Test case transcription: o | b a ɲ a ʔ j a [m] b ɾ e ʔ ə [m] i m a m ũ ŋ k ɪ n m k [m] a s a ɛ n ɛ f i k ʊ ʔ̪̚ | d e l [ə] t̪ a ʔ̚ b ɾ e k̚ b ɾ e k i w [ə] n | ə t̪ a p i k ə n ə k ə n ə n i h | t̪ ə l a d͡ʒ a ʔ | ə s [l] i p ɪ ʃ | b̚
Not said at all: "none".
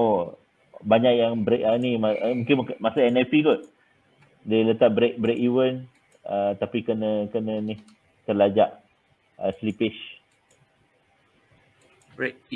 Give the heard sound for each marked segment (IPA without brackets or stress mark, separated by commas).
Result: ŋ, n, m, ə, ə, l